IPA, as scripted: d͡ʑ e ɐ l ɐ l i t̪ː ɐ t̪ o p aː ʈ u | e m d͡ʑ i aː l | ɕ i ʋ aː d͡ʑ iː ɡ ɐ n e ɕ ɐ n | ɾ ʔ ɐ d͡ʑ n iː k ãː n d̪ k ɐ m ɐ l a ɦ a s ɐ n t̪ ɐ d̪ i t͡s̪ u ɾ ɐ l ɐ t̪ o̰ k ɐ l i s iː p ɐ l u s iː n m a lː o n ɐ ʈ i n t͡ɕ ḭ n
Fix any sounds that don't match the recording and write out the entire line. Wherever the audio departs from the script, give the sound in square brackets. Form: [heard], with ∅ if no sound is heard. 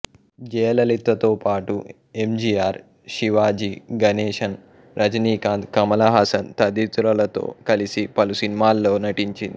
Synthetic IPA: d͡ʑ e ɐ l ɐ l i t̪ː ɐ t̪ o p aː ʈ u | e m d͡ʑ i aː [ɾ] | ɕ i ʋ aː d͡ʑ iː ɡ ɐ n e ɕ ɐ n | ɾ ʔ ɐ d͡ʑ n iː k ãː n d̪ k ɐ m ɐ l a ɦ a s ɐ n t̪ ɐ d̪ i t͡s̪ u ɾ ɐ l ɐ t̪ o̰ k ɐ l i s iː p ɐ l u s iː n m a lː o n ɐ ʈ i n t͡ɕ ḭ n